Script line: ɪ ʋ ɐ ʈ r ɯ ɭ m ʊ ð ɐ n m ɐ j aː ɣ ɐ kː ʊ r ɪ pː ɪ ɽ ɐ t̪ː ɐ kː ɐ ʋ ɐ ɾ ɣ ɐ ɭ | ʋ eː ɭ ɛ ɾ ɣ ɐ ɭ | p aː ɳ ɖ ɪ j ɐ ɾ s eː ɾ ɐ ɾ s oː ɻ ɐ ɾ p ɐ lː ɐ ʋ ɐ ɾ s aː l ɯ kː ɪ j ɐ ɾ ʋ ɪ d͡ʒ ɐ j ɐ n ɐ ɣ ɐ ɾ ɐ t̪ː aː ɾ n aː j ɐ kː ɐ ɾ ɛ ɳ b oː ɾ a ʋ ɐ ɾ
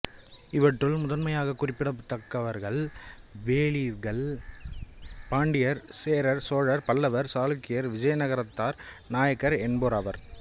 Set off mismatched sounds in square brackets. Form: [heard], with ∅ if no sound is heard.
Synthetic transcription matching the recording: ɪ ʋ ɐ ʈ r ɯ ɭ m ʊ ð ɐ n m ɐ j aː ɣ ɐ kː ʊ r ɪ pː ɪ ɽ ɐ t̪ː ɐ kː ɐ ʋ ɐ ɾ ɣ ɐ ɭ | ʋ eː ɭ [i] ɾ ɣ ɐ ɭ | p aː ɳ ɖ ɪ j ɐ ɾ s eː ɾ ɐ ɾ s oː ɻ ɐ ɾ p ɐ lː ɐ ʋ ɐ ɾ s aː l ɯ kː ɪ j ɐ ɾ ʋ ɪ d͡ʒ ɐ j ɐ n ɐ ɣ ɐ ɾ ɐ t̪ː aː ɾ n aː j ɐ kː ɐ ɾ ɛ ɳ b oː ɾ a ʋ ɐ ɾ